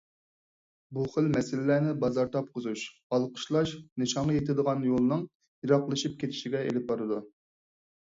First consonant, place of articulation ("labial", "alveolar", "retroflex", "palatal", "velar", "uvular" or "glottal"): labial